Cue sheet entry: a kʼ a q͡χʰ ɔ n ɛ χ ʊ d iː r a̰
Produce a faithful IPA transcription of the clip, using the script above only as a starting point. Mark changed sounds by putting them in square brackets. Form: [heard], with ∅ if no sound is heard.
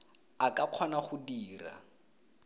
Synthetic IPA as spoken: a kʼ a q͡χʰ ɔ n [a] χ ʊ d iː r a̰

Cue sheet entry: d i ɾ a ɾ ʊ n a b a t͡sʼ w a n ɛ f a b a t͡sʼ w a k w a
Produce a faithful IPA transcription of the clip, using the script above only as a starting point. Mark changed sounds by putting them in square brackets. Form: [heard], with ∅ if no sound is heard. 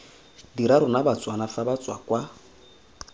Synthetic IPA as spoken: d i ɾ a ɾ ʊ n a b a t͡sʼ w a n [a] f a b a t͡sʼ w a k w a

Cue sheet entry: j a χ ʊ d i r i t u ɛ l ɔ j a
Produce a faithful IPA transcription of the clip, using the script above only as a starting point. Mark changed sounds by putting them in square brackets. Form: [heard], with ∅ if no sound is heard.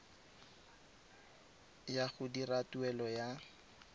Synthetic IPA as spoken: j a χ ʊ d i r [a] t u ɛ l ɔ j a

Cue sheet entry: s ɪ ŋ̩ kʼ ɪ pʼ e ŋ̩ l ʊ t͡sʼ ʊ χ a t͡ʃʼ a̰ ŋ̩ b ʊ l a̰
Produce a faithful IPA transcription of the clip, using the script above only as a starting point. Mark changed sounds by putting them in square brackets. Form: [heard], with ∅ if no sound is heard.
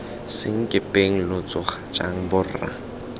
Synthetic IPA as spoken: s ɪ ŋ̩ kʼ ɪ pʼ e ŋ̩ l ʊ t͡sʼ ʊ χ a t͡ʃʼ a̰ ŋ̩ b ʊ [r] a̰

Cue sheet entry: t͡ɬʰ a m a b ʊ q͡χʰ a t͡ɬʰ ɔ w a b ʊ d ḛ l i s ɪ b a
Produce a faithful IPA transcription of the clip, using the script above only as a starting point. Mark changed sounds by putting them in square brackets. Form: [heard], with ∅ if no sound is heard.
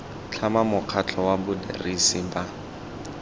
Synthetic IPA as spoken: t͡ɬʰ a m a [m] ʊ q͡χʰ a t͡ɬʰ ɔ w a b ʊ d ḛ [r] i s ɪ b a

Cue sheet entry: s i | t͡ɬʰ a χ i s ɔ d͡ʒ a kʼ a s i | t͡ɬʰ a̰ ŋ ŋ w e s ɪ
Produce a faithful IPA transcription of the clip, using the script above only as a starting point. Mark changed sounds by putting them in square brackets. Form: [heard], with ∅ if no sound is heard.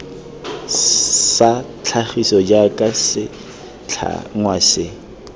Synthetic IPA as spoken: s [a] | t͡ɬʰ a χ i s ɔ d͡ʒ a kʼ a s [ɪ] | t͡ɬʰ a̰ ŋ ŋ w [a] s ɪ

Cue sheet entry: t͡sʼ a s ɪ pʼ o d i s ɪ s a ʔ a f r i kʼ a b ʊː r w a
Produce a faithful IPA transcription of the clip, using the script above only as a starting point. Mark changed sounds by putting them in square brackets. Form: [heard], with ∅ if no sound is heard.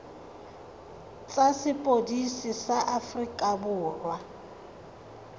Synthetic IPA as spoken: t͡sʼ a s ɪ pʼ o d i s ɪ s a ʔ a f r i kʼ a b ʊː r w a

